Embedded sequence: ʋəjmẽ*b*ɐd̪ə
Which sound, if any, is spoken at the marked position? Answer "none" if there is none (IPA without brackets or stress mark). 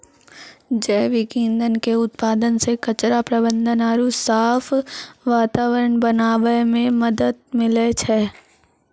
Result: m